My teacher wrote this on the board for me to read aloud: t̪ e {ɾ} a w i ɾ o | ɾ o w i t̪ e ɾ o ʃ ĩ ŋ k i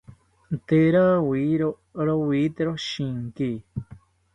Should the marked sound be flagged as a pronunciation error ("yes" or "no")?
no